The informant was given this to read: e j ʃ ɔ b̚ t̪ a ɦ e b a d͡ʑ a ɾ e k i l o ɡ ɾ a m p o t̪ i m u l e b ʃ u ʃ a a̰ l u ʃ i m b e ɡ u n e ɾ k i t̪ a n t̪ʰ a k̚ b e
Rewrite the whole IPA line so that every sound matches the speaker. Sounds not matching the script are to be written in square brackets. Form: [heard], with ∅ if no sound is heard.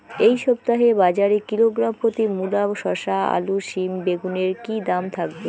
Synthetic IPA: e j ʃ ɔ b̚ t̪ a ɦ e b a d͡ʑ a ɾ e k i l o ɡ ɾ a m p o t̪ i m u l [a] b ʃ [ɔ] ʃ a a̰ l u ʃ i m b e ɡ u n e ɾ k i [d̪] a [m] t̪ʰ a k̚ b e